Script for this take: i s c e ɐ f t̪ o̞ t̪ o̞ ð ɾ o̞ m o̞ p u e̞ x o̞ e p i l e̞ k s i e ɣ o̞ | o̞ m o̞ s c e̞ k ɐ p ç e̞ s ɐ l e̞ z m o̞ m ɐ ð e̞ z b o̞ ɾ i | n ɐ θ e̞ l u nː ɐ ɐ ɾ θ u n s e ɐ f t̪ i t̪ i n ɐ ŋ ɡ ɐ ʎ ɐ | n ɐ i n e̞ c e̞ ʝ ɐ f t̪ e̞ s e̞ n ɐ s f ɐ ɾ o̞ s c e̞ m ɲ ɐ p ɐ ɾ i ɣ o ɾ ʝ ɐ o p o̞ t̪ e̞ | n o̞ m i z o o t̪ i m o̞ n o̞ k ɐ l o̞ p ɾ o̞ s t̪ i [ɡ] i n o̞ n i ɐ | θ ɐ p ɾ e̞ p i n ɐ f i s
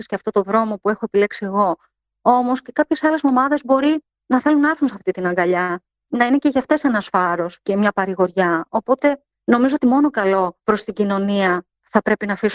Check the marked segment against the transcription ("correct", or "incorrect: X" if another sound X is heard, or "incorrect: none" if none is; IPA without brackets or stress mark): incorrect: ɟ